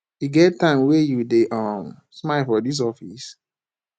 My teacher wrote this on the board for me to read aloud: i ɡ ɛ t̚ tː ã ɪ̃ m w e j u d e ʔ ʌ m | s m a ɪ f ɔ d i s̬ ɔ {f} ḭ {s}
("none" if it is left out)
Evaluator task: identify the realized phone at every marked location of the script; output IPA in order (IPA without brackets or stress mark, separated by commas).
f, s